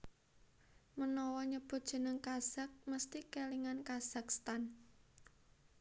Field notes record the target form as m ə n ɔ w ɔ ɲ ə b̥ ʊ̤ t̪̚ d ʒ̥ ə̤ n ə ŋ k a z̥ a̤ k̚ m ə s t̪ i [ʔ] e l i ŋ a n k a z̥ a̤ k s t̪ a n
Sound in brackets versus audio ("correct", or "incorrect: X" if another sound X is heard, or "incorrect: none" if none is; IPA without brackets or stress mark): incorrect: k